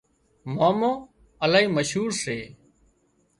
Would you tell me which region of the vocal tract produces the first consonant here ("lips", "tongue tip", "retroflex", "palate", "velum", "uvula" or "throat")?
lips